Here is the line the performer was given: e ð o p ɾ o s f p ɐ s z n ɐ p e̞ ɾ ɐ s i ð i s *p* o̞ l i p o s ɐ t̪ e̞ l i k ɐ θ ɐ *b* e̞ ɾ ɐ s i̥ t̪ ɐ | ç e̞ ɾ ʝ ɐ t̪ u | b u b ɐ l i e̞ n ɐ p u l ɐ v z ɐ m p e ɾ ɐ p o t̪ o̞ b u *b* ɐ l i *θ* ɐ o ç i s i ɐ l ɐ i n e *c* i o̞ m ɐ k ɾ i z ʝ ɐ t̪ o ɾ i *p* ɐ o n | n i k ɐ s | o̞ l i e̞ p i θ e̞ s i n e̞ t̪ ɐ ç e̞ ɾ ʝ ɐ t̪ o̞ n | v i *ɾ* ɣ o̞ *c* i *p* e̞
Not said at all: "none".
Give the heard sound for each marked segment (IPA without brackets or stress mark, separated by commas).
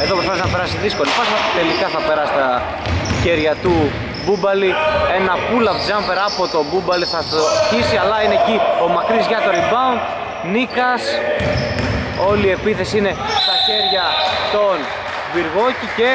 k, p, b, θ, c, b, ɾ, c, c